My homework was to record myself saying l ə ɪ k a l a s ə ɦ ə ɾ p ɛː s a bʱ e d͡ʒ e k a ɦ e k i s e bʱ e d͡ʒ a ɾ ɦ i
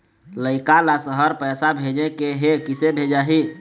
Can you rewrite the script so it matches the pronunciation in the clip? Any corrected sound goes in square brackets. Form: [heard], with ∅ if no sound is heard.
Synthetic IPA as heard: l ə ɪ k a l a s ə ɦ ə ɾ p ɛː s a bʱ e d͡ʒ e k [e] ɦ e k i s e bʱ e d͡ʒ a [∅] ɦ i